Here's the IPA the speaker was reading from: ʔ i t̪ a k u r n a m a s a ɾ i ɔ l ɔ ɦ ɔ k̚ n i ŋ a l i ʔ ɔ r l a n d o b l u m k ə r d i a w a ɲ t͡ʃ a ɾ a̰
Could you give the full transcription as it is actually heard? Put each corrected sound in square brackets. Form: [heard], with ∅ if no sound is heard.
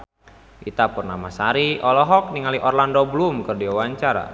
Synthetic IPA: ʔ i t̪ a [p] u r n a m a s a ɾ i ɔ l ɔ ɦ ɔ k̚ n i ŋ a l i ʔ ɔ r l a n d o b l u m k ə r d i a w a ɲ t͡ʃ a ɾ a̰